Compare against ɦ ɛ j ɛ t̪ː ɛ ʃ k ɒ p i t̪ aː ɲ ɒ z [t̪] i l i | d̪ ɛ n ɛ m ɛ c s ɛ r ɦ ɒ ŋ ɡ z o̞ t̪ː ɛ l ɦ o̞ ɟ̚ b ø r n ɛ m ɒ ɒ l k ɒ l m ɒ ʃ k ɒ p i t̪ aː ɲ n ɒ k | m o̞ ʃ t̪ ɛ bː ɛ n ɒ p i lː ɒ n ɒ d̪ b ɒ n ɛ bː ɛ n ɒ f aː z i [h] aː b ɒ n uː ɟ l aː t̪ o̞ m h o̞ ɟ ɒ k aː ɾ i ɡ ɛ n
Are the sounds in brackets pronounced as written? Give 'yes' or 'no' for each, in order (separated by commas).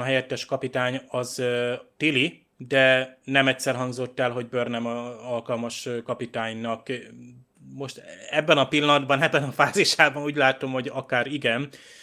yes, no